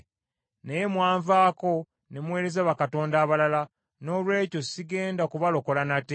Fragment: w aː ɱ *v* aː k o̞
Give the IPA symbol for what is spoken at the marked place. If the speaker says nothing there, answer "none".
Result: v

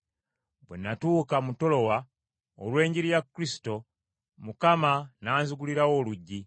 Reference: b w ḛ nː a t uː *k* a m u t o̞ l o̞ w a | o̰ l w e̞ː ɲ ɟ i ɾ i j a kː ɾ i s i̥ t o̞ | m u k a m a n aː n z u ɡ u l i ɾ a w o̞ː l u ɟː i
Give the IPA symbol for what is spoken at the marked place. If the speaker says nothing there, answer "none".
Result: k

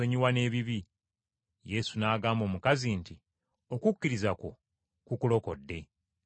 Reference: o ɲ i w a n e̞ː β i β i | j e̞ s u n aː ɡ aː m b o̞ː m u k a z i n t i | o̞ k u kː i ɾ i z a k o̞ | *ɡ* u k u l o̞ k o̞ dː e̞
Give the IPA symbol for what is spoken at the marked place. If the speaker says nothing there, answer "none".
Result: k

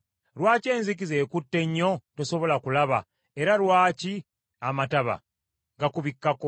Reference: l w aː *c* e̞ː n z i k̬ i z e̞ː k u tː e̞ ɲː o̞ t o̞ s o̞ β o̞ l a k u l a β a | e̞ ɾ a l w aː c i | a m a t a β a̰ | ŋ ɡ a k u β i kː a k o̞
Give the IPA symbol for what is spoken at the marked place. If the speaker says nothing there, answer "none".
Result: c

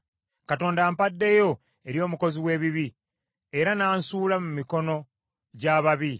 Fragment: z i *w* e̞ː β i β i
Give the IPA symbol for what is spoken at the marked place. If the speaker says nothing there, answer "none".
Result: w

